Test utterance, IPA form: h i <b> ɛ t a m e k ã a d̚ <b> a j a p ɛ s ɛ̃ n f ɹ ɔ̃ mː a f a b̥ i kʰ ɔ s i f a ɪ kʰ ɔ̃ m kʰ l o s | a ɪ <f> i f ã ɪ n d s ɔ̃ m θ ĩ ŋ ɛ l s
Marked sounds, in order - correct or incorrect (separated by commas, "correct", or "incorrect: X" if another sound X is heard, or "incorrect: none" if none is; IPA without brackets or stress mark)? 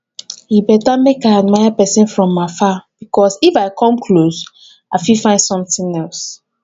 correct, incorrect: m, correct